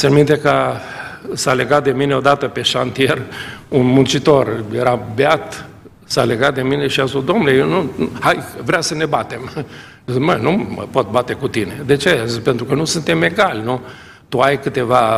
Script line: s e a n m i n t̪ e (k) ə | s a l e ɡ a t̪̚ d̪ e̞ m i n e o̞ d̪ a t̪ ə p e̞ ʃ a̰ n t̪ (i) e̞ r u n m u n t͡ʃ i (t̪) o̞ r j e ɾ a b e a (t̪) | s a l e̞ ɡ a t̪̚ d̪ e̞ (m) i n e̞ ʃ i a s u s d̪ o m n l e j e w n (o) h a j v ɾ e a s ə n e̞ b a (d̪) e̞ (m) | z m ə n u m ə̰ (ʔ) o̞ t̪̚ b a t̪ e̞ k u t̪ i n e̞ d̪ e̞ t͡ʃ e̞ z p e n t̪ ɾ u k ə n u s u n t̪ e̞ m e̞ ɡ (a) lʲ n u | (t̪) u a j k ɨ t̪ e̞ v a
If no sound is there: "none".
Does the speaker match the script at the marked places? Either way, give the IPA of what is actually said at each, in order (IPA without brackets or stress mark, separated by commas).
k, i, t̪, t̪, m, u, t̪, m, p, a, t̪